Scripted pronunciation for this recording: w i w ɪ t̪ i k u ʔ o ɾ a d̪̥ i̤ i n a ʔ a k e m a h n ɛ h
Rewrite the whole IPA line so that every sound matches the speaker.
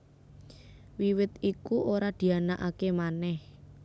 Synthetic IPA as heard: w i w ɪ t̪ i k u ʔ o ɾ a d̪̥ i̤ a n a ʔ a k e m a n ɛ h